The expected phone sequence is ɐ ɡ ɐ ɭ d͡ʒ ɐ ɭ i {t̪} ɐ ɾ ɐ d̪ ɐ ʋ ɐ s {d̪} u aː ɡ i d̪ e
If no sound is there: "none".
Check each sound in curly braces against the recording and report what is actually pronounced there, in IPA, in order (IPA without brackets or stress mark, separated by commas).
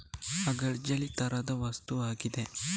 t̪, t̪